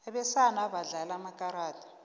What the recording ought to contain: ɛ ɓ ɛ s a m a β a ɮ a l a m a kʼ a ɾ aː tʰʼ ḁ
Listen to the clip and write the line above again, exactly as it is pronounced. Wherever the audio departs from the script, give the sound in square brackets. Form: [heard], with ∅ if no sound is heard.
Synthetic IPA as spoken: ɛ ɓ ɛ s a [n] a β a ɮ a l a m a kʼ a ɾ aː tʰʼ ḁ